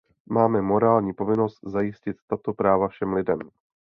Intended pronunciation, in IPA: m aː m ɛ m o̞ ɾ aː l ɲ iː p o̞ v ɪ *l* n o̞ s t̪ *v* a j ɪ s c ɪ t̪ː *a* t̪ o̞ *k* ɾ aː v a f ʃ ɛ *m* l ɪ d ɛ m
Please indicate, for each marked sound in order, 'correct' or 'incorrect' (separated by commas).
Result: incorrect, incorrect, correct, incorrect, correct